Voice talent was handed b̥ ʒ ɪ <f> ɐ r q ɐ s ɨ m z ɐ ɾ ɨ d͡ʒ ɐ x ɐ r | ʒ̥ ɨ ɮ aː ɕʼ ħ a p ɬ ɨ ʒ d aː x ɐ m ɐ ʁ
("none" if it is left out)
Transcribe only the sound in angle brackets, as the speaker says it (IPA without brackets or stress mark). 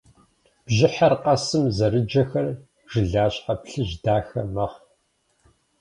ħ